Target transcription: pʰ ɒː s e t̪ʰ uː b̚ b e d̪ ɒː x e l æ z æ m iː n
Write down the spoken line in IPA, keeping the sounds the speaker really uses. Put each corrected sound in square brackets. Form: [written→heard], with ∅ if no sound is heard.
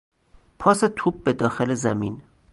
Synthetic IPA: pʰ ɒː s e t̪ʰ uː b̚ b e d̪ ɒː x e l [æ→e] z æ m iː n